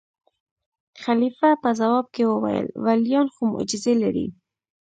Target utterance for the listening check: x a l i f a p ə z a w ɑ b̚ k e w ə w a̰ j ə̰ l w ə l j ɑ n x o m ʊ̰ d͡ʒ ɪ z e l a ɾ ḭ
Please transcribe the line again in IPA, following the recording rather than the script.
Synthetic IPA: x a l i f a p ə z a w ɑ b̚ k e w ə w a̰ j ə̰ l w a l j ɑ n x o m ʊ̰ d͡ʒ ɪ z e l a ɾ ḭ